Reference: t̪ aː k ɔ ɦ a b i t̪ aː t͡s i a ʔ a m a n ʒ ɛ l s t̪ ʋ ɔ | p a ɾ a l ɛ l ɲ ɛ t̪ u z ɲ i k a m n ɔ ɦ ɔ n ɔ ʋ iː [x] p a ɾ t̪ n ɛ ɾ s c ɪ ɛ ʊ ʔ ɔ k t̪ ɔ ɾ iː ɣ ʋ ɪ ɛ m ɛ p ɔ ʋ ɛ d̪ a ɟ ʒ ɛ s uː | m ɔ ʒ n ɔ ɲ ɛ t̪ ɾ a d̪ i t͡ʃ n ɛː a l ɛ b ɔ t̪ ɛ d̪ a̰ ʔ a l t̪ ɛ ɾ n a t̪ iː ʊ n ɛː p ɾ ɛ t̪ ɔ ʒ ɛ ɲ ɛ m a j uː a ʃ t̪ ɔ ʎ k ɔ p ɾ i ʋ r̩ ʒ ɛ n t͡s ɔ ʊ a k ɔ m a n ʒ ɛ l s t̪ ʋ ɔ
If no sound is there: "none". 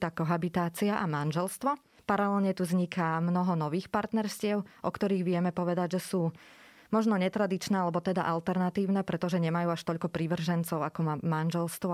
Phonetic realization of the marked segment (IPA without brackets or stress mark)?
x